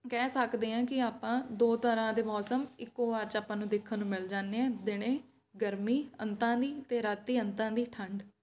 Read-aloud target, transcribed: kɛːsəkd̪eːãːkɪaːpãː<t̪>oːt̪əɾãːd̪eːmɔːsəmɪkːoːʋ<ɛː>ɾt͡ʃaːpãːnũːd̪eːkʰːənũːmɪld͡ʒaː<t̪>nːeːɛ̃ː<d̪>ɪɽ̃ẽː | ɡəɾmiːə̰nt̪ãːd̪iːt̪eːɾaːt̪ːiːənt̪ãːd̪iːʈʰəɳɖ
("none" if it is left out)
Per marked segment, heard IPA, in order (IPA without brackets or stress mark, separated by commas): d̪, aː, none, d̪